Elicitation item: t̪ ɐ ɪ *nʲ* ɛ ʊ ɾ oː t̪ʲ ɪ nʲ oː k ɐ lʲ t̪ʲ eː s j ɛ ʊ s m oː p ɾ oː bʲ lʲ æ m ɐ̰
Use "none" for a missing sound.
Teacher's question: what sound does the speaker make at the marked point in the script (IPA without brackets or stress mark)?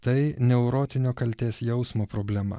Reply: nʲ